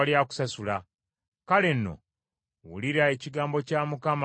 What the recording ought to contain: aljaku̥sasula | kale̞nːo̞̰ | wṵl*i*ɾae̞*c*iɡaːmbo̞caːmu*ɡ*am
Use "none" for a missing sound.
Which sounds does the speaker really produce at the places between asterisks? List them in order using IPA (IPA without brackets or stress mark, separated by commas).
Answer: i, c, k